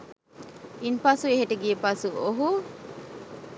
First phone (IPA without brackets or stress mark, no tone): i